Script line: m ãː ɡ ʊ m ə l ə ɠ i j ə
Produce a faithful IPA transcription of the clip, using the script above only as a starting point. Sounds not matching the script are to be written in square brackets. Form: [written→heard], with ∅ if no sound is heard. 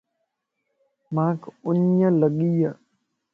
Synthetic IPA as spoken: m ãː [ɡ→k] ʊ [m→ɲ] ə l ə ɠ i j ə